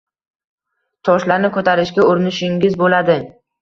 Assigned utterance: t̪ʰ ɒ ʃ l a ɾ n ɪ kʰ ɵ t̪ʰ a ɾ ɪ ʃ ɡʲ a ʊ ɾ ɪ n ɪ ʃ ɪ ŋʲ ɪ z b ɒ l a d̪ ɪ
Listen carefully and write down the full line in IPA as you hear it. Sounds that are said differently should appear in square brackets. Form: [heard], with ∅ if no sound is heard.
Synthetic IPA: t̪ʰ ɒ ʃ l a ɾ n ɪ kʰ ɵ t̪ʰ a ɾ ɪ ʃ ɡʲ a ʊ ɾ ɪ n ɪ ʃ ɪ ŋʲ ɪ z b [o] l a d̪ ɪ